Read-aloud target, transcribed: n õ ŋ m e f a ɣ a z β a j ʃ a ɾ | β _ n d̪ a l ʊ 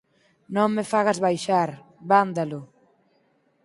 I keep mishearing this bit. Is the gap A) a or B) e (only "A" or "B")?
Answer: A